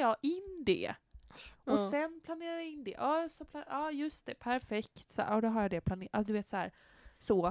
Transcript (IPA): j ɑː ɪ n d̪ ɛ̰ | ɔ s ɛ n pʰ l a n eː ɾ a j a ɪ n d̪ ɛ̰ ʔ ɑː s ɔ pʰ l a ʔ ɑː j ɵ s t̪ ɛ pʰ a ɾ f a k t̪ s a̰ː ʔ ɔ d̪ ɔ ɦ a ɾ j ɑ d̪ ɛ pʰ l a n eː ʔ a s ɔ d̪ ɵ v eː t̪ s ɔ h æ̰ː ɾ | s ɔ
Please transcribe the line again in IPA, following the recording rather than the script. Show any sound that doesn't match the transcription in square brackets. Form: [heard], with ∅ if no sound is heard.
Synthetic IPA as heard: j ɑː ɪ n d̪ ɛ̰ | ɔ s ɛ n pʰ l a n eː ɾ a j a ɪ n d̪ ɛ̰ ʔ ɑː s ɔ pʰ l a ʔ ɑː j ɵ s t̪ ɛ pʰ [æ] ɾ f [ɛ] k t̪ s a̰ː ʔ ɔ d̪ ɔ ɦ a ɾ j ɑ d̪ ɛ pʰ l a n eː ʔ a s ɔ d̪ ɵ v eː t̪ s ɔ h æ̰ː ɾ | s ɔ